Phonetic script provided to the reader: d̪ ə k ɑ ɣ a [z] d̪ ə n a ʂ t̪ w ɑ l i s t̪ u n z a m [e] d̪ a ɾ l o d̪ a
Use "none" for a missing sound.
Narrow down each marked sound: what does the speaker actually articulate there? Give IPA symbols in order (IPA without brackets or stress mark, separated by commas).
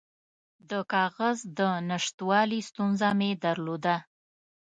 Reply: z, e